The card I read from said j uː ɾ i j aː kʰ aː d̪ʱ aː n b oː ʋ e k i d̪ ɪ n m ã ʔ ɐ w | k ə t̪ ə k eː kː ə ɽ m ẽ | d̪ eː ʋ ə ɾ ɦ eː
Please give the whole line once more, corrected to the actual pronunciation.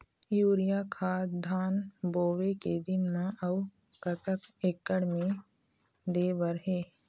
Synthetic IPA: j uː ɾ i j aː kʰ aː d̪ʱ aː n b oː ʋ e k e d̪ ɪ n m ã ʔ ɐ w | k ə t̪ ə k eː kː ə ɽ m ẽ | d̪ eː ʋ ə ɾ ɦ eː